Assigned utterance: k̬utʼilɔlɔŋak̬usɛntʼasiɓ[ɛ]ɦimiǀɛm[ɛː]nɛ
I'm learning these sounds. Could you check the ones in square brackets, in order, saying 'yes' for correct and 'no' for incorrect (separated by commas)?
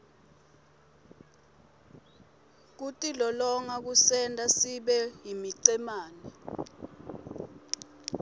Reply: yes, no